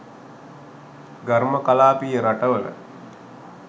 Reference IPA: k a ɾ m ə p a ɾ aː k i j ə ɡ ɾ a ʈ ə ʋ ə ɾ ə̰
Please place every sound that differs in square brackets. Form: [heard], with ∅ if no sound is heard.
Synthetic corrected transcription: [ɡ] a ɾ m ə [k] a [l] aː [p] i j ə [∅] ɾ a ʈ ə ʋ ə [l] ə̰